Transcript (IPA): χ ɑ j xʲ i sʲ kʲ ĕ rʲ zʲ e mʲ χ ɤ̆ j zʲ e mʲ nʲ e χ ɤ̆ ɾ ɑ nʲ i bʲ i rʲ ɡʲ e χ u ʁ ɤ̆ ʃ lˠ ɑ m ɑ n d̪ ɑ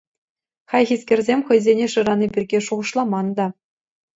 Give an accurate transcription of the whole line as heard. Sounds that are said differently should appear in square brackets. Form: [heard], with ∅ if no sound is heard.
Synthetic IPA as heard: χ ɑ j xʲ i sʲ kʲ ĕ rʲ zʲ e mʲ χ ɤ̆ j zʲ e [∅] nʲ e [ʂ] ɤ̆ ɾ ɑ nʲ i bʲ i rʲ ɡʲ e [ʂ] u ʁ ɤ̆ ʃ lˠ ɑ m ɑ n d̪ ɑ